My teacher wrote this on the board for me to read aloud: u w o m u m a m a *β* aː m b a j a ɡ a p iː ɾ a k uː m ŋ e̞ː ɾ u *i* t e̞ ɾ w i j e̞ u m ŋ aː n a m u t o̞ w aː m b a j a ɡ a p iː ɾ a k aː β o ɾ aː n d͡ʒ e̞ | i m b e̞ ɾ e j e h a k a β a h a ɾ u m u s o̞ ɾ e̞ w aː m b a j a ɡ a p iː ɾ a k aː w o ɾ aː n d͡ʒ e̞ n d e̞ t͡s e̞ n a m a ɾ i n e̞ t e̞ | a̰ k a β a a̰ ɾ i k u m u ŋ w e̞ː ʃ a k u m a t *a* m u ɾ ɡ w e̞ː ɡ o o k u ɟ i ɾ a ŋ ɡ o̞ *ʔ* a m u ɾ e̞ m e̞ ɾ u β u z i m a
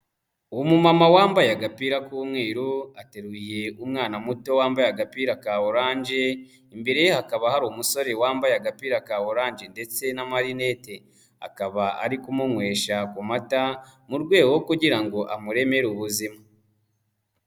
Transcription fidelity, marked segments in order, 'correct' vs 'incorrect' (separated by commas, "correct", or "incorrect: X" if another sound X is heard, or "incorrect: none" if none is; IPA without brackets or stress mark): incorrect: w, incorrect: a, correct, correct